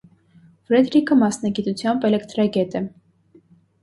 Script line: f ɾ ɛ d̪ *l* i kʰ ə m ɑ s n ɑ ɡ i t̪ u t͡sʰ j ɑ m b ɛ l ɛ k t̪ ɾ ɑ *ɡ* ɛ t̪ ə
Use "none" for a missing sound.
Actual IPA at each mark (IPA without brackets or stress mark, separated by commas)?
ɾ, ɡ